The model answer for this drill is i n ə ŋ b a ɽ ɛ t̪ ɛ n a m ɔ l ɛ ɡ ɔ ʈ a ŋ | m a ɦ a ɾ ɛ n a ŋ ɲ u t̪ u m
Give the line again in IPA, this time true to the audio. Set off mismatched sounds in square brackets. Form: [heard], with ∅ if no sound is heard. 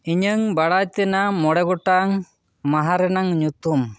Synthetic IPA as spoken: i [ɲ] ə ŋ b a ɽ [a] t̪ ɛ n a m ɔ [ɽ] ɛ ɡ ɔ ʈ a ŋ | m a ɦ a ɾ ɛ n a ŋ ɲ u t̪ u m